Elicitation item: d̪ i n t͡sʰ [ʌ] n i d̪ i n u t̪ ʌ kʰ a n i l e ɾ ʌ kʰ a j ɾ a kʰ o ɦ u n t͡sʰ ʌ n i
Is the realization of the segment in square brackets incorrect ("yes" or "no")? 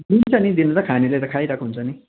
no